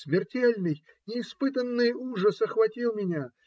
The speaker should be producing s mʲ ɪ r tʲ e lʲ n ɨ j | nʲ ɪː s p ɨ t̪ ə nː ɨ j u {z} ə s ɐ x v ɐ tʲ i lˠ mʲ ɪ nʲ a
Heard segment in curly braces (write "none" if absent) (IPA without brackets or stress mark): ʐ